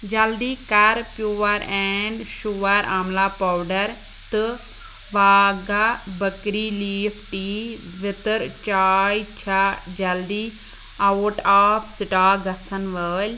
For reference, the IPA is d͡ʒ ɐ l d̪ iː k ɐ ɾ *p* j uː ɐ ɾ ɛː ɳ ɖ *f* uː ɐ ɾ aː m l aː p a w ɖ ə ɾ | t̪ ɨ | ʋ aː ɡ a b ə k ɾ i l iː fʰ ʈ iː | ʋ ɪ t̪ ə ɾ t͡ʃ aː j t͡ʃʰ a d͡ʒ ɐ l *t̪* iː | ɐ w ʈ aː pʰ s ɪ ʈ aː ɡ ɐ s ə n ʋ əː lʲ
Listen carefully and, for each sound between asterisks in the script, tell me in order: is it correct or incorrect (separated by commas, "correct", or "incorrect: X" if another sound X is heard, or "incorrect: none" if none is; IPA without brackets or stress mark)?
correct, incorrect: ʃ, incorrect: d̪